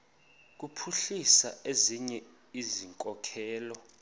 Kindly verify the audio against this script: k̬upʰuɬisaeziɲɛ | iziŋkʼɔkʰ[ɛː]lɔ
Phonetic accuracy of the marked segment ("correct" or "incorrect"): correct